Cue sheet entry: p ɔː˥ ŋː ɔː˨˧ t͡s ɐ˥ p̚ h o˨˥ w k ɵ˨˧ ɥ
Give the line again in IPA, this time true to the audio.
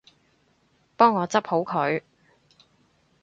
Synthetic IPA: p ɔː˥ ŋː ɔː˨˧ t͡s ɐ˥ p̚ h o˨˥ w kʰ ɵ˨˧ ɥ